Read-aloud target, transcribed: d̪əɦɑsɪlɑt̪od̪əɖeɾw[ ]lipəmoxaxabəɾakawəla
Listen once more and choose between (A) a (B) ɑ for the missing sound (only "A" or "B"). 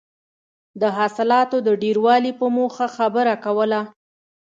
B